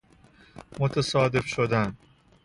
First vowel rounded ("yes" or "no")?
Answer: yes